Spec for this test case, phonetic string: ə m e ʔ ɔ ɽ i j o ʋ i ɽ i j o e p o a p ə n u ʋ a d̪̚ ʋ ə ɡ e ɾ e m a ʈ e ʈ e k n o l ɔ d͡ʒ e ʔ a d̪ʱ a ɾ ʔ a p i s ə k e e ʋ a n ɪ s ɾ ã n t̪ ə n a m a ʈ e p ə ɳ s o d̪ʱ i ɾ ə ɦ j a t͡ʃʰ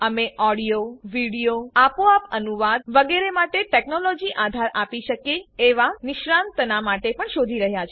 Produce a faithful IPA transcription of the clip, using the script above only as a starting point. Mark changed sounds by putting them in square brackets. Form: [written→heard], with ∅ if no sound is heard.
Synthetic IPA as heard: ə m e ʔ ɔ ɽ i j o ʋ i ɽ i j o [e→a] p o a p ə n u ʋ a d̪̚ ʋ ə ɡ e ɾ e m a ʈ e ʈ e k n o l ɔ d͡ʒ [e→i] ʔ a d̪ʱ a ɾ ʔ a p i [s→ʃ] ə k e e ʋ a n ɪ [s→ʃ] ɾ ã n t̪ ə n a m a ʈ e p ə ɳ [s→ʃ] o d̪ʱ i ɾ ə ɦ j a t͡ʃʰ